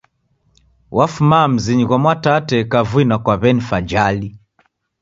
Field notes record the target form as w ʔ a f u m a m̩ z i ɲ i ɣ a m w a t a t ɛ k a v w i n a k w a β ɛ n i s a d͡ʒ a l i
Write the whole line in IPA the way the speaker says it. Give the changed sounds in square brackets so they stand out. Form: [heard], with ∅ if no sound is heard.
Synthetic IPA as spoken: w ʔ a f u m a m̩ z i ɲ i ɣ a m w a t a t ɛ k a v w i n a k w a β ɛ n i [f] a d͡ʒ a l i